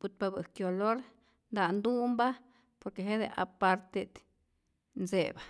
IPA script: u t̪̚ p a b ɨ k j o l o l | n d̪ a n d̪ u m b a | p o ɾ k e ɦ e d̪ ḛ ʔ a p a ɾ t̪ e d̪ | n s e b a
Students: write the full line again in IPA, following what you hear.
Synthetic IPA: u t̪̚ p a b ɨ k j o l o ɾ | n d̪ a n d̪ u m b a | p o ɾ k e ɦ e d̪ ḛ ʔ a p a ɾ t̪ e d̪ | n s e b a